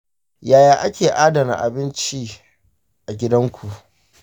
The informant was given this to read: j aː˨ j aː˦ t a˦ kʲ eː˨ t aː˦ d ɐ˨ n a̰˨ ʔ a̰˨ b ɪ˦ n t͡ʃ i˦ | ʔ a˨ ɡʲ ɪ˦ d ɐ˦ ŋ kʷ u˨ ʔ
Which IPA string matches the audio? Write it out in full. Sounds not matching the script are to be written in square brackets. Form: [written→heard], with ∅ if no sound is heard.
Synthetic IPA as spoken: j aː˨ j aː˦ [t→ʔ] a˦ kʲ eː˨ [t→ʔ] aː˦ d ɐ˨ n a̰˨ ʔ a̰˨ b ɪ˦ n t͡ʃ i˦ | ʔ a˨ ɡʲ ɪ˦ d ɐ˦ ŋ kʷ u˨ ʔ